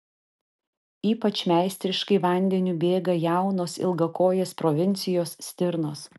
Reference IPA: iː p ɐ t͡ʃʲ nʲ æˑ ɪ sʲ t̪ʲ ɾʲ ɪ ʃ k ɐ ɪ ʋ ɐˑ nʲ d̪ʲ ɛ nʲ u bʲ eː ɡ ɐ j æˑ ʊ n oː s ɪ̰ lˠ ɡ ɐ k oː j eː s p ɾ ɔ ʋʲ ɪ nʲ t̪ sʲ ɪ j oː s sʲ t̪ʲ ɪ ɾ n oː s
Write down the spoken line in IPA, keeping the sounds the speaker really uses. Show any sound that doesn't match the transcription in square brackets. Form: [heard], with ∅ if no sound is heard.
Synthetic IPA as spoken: iː p ɐ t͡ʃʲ [mʲ] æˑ ɪ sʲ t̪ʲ ɾʲ ɪ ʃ k ɐ ɪ ʋ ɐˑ nʲ d̪ʲ ɛ nʲ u bʲ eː ɡ ɐ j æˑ ʊ n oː s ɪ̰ lˠ ɡ ɐ k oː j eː s p ɾ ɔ ʋʲ ɪ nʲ t̪ sʲ ɪ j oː s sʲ t̪ʲ ɪ ɾ n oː s

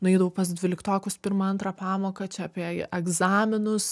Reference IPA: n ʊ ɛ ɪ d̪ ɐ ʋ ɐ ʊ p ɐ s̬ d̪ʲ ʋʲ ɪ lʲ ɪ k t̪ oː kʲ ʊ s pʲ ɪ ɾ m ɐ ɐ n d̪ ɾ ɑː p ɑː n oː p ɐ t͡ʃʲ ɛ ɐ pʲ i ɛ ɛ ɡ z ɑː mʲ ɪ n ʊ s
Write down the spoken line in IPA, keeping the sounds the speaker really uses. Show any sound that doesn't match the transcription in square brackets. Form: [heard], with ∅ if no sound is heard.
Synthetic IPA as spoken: n ʊ ɛ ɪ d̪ ɐ ʋ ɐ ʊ p ɐ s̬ d̪ʲ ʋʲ ɪ lʲ ɪ k t̪ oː kʲ ʊ s pʲ ɪ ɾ m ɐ ɐ n [t̪] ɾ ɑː p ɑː [m] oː [k] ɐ t͡ʃʲ ɛ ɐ pʲ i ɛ ɛ ɡ z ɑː mʲ ɪ n ʊ s

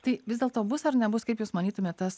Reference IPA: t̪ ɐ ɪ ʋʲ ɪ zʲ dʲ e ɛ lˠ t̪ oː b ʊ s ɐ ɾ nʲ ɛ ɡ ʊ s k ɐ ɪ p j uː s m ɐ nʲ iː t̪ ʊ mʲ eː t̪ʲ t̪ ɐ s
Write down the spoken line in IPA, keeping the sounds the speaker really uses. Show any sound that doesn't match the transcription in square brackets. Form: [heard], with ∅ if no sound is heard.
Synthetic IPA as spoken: t̪ ɐ ɪ ʋʲ ɪ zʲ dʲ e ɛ lˠ t̪ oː b ʊ s ɐ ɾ nʲ ɛ [b] ʊ s k ɐ ɪ p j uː s m ɐ nʲ iː t̪ ʊ mʲ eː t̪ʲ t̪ ɐ s

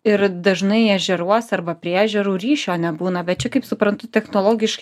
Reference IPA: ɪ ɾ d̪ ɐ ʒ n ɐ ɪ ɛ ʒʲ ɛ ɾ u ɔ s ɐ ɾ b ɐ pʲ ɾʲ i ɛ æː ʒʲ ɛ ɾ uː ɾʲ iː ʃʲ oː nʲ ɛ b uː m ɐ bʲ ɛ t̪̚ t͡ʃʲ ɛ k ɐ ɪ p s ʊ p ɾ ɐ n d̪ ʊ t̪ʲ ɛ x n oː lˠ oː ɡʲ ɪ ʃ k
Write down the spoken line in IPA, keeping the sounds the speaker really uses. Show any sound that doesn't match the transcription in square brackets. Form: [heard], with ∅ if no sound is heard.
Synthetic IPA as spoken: ɪ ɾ d̪ ɐ ʒ n ɐ ɪ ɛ ʒʲ ɛ ɾ u ɔ s ɐ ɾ b ɐ pʲ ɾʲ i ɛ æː ʒʲ ɛ ɾ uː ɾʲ iː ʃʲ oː nʲ ɛ b uː [n] ɐ bʲ ɛ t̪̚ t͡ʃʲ ɛ k ɐ ɪ p s ʊ p ɾ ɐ n [t̪] ʊ t̪ʲ ɛ x n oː lˠ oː ɡʲ ɪ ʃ k

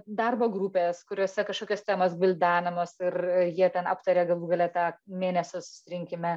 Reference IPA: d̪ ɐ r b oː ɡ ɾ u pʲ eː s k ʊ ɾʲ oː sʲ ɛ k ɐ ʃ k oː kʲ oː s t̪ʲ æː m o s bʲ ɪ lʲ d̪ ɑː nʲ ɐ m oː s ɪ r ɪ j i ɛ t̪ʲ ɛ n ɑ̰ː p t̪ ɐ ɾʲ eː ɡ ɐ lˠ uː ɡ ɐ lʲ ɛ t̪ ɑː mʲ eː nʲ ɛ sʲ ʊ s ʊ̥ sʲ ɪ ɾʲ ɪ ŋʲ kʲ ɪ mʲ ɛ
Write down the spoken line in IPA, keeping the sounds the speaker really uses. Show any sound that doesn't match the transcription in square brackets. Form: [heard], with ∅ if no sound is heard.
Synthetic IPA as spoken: d̪ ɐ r b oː ɡ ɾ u pʲ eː s k ʊ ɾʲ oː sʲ ɛ k ɐ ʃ k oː kʲ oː s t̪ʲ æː m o s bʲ ɪ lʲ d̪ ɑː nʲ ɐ m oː s ɪ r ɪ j i ɛ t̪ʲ ɛ n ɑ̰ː p t̪ ɐ ɾʲ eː ɡ ɐ lˠ uː ɡ ɐ lʲ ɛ t̪ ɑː mʲ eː nʲ ɛ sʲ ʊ s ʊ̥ sʲ ɪ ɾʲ ɪ ŋʲ kʲ ɪ mʲ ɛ

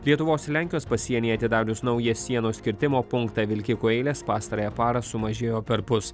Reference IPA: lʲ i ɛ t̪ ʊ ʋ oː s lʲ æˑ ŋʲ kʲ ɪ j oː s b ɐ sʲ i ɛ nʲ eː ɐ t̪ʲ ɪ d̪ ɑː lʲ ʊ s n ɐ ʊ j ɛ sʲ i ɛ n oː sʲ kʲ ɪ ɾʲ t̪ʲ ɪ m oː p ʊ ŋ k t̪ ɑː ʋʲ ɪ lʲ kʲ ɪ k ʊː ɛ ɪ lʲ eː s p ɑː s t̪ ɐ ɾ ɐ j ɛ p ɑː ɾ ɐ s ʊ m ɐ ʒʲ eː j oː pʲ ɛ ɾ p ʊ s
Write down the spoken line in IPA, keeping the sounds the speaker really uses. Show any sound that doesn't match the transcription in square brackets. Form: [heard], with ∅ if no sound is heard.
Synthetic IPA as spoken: lʲ i ɛ t̪ ʊ ʋ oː s lʲ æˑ ŋʲ kʲ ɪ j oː s [p] ɐ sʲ i ɛ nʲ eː ɐ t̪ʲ ɪ d̪ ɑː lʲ ʊ s n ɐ ʊ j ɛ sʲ i ɛ n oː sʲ kʲ ɪ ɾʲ t̪ʲ ɪ m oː p ʊ ŋ k t̪ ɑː ʋʲ ɪ lʲ kʲ ɪ k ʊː ɛ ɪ lʲ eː s p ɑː s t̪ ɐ ɾ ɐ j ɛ p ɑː ɾ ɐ s ʊ m ɐ ʒʲ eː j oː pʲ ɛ ɾ p ʊ s

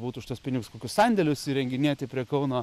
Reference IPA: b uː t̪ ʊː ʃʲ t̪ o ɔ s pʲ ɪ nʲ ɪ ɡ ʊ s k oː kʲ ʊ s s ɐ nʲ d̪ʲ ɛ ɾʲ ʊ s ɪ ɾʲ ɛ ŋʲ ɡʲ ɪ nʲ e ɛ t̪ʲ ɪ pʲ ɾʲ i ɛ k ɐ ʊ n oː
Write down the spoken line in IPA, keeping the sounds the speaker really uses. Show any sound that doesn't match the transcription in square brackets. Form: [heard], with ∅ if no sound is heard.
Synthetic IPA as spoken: b uː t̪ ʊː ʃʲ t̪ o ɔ s pʲ ɪ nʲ ɪ ɡ ʊ s k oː kʲ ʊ s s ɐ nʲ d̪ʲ ɛ [lʲ] ʊ s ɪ ɾʲ ɛ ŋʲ ɡʲ ɪ nʲ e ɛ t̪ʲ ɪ pʲ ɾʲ i ɛ k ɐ ʊ n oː

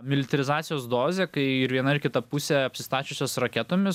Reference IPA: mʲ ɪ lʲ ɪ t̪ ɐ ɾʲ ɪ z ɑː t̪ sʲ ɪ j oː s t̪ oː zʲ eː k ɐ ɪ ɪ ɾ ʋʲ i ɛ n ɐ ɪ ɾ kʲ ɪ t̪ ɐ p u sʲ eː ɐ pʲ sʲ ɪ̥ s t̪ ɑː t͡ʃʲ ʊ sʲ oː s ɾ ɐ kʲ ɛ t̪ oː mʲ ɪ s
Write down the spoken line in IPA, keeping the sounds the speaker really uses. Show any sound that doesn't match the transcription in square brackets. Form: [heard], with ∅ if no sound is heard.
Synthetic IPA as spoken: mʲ ɪ lʲ ɪ t̪ ɐ ɾʲ ɪ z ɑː t̪ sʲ ɪ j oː s [d̪] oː zʲ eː k ɐ ɪ ɪ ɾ ʋʲ i ɛ n ɐ ɪ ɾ kʲ ɪ t̪ ɐ p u sʲ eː ɐ pʲ sʲ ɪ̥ s t̪ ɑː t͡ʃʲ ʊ sʲ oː s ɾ ɐ kʲ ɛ t̪ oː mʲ ɪ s

